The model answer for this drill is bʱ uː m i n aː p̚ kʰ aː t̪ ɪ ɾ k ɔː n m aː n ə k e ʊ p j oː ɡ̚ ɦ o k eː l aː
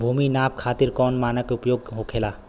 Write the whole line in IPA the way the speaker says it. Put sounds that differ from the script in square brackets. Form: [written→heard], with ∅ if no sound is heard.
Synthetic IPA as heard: bʱ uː m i n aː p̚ kʰ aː t̪ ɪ ɾ k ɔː n m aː n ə k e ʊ p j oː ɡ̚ ɦ o [k→kʰ] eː l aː